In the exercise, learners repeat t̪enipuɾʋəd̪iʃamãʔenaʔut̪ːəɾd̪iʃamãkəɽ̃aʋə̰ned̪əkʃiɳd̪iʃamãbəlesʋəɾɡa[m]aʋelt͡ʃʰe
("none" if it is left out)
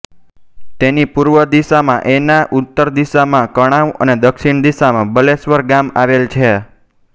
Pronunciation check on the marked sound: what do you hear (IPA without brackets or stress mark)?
m